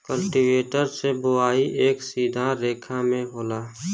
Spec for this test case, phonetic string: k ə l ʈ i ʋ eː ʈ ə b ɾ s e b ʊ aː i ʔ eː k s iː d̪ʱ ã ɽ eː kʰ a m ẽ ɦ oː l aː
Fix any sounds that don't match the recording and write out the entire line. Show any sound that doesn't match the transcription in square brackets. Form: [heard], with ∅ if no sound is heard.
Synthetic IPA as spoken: k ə l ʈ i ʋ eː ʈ ə [∅] ɾ s e b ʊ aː i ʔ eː k s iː d̪ʱ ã [ɾ] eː kʰ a m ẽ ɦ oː l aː

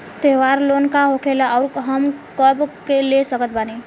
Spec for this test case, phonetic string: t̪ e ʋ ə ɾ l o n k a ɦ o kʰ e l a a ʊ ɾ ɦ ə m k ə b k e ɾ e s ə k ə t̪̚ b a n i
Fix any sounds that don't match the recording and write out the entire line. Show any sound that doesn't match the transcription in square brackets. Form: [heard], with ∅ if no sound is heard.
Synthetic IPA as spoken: t̪ e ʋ [a] ɾ l o n k a ɦ o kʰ e l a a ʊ ɾ ɦ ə m k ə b k e [l] e s ə k ə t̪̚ b a n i

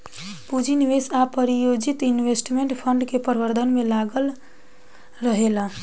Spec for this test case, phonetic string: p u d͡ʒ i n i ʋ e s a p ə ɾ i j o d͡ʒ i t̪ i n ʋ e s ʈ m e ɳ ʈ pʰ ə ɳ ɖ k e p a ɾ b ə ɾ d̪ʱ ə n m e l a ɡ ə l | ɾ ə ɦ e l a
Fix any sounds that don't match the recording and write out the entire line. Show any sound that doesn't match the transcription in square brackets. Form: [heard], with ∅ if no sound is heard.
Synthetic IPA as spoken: p u d͡ʒ i n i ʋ e s a p ə ɾ i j o d͡ʒ i t̪ i n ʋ e s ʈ m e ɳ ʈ pʰ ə ɳ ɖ k e p [ə] ɾ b ə ɾ d̪ʱ ə n m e l a ɡ ə l | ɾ ə ɦ e l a

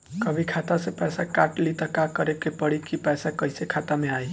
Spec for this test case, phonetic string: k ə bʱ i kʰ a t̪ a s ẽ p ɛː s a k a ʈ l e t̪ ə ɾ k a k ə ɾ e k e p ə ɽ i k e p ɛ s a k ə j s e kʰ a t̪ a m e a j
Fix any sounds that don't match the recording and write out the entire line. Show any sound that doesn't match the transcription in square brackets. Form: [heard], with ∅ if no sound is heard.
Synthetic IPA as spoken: k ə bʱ i kʰ a t̪ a s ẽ p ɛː s a k a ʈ l [i] t̪ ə [∅] k a k ə ɾ e k e p ə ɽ i k [i] p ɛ s a k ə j s e kʰ a t̪ a m e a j

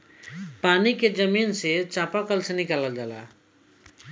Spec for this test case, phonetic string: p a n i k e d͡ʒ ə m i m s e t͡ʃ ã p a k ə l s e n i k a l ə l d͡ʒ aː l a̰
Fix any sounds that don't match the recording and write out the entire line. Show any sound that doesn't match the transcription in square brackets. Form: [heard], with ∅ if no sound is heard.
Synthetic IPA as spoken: p a n i k e d͡ʒ ə m i [n] s e t͡ʃ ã p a k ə l s e n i k a l ə l d͡ʒ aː l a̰

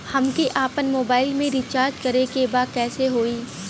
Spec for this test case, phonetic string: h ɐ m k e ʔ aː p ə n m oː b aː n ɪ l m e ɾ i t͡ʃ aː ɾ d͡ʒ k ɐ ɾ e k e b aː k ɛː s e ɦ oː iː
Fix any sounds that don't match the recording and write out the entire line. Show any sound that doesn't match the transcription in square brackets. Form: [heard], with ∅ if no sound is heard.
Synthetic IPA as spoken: h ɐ m k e ʔ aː p ə n m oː b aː [∅] ɪ l m [ẽ] ɾ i t͡ʃ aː ɾ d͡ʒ k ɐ ɾ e k e b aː k ɛː s e ɦ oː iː

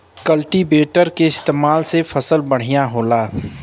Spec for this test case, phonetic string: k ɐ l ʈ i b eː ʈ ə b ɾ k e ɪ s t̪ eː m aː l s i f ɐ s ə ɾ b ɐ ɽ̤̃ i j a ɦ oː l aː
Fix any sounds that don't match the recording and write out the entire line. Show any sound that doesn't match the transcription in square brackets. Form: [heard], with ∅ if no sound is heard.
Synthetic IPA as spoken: k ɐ l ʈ i b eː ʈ ə [∅] ɾ k e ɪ s t̪ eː m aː l s [e] f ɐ s ə [l] b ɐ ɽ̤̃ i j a ɦ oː l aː

